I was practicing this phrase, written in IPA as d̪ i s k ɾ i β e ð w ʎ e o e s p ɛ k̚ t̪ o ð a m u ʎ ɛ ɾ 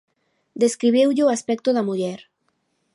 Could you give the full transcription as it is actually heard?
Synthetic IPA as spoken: d̪ e s k ɾ i β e w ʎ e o a s p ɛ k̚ t̪ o ð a m u ʎ ɛ ɾ